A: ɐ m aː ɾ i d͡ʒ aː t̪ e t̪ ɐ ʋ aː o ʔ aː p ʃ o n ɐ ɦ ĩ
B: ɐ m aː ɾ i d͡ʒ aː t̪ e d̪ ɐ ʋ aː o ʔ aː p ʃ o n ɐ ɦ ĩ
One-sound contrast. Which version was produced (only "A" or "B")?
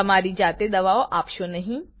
B